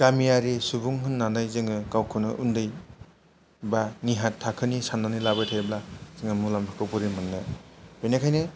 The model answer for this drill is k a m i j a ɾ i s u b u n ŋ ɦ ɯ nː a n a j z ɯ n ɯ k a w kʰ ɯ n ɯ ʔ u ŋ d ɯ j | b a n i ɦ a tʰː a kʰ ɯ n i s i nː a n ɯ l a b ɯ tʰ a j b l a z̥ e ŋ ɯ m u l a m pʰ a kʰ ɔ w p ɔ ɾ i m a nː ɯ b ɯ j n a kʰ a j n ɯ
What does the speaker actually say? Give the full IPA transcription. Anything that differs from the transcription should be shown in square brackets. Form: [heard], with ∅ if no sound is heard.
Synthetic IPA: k a m i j a ɾ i s u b u [∅] ŋ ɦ ɯ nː a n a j z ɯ [ŋ] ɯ k a w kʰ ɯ n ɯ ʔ u [n] d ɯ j | b a n i ɦ a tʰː a kʰ ɯ n i s [a] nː a n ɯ l a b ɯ tʰ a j b l a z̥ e ŋ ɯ m u l a m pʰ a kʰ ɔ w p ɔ ɾ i m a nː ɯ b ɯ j n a kʰ a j n ɯ